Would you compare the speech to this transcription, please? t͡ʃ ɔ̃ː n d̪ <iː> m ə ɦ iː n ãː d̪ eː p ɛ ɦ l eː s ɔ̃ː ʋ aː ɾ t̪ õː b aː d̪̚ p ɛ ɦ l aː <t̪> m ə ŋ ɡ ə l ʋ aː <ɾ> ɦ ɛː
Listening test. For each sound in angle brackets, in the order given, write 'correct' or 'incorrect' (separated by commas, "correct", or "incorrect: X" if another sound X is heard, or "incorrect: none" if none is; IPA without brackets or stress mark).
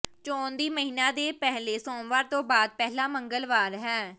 correct, incorrect: none, correct